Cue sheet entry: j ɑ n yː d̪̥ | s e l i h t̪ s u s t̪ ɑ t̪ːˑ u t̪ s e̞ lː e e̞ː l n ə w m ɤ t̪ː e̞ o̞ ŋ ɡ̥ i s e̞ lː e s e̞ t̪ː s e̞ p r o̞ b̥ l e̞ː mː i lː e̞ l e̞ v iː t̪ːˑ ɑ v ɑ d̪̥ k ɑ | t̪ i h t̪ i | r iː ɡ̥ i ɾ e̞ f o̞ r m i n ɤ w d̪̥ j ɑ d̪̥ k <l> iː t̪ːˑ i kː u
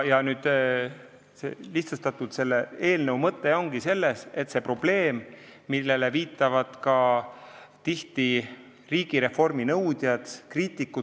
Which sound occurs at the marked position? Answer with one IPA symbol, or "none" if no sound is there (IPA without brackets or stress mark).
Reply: r